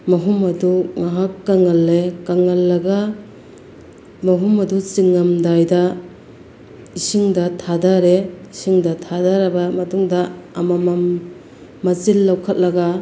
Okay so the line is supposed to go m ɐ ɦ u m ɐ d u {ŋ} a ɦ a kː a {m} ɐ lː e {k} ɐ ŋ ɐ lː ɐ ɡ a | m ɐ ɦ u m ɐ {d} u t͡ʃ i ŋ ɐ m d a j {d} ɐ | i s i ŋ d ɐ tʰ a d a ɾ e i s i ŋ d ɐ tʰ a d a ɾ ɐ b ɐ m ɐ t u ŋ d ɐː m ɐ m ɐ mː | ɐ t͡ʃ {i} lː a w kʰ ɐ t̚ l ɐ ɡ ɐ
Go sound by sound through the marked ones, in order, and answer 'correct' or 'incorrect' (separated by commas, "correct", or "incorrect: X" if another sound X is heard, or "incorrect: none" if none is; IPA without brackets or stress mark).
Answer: correct, incorrect: ŋ, correct, correct, correct, correct